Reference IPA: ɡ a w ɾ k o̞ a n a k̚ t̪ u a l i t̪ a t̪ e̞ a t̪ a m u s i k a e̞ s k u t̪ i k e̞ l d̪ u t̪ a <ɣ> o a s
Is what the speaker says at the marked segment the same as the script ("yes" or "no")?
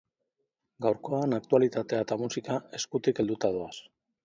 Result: no